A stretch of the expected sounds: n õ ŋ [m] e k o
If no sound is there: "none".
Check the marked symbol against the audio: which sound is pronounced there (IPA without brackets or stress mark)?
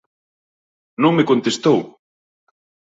m